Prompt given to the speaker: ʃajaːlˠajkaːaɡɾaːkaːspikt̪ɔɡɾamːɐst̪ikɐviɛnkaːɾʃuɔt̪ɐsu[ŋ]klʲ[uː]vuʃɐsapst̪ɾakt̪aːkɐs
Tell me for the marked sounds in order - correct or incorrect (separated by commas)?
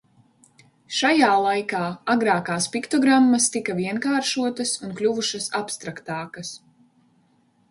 incorrect, incorrect